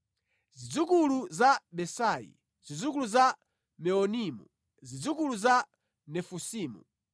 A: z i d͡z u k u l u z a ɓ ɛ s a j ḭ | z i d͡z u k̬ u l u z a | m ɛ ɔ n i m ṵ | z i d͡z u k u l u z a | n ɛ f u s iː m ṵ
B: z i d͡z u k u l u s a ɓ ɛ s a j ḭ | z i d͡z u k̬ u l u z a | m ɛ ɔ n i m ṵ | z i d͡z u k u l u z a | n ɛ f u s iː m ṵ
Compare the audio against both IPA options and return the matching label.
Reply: A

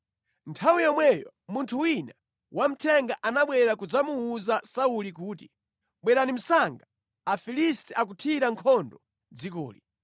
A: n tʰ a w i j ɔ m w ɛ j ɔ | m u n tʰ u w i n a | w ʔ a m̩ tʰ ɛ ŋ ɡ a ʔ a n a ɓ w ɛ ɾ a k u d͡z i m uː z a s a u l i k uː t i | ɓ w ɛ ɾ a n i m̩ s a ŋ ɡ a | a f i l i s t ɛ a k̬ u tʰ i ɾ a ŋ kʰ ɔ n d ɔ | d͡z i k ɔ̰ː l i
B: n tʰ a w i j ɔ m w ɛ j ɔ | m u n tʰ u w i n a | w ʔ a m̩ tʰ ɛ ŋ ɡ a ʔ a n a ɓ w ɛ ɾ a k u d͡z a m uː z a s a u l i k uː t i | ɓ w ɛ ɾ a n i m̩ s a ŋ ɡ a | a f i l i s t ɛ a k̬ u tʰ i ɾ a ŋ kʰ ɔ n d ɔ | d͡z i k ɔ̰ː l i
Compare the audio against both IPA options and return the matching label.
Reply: B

